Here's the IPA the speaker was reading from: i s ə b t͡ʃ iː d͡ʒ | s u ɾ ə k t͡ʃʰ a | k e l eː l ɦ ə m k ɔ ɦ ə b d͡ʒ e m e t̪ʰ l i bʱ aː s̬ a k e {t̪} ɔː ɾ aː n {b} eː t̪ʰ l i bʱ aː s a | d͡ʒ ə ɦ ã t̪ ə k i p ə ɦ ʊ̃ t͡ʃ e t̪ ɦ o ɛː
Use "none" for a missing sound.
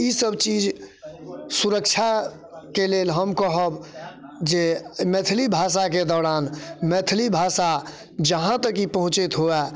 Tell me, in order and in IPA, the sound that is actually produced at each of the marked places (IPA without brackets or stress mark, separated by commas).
d̪, m